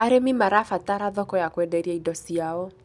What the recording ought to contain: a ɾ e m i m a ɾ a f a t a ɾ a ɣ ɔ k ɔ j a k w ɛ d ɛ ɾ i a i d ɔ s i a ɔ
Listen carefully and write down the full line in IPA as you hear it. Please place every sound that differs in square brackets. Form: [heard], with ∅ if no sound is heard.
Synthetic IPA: a ɾ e m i m a ɾ a f a t a ɾ a [ð] ɔ k ɔ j a k w ɛ d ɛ ɾ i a i d ɔ s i a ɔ